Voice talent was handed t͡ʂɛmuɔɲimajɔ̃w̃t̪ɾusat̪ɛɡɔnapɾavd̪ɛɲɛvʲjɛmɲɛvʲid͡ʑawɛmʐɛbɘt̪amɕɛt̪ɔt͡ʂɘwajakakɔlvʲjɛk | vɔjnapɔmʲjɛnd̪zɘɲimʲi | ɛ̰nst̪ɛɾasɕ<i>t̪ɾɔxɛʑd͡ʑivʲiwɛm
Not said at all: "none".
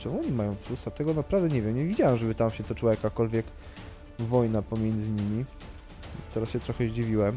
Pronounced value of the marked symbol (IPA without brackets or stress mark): ɛ